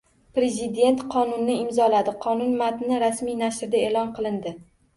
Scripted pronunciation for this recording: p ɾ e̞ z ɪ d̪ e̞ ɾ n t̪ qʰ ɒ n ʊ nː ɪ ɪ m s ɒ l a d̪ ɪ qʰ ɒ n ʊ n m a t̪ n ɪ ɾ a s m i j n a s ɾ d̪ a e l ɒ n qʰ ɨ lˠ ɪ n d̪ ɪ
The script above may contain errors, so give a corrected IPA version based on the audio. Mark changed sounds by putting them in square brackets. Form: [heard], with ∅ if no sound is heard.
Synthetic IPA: p ɾ e̞ z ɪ d̪ e̞ [∅] n t̪ qʰ ɒ n ʊ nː ɪ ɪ m [z] ɒ l a d̪ ɪ qʰ ɒ n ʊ n m a t̪ n ɪ ɾ a s m i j n a [ʃ] ɾ d̪ a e l ɒ n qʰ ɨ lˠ ɪ n d̪ ɪ